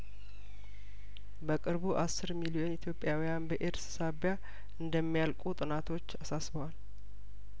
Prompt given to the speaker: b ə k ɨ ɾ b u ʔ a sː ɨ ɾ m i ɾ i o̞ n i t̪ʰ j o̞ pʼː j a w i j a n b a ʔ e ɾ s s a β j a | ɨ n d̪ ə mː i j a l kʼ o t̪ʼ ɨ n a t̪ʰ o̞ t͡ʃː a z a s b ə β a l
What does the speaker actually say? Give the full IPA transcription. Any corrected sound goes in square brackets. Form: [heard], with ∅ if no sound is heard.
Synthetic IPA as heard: b ə [kʼ] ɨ ɾ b u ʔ a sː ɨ ɾ m i [l] i o̞ n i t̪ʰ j o̞ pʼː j a w i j a n b [ə] ʔ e ɾ s s a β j a | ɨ n d̪ ə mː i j a l kʼ [u] t̪ʼ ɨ n a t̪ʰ o̞ t͡ʃː a [s] a s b ə [w] a l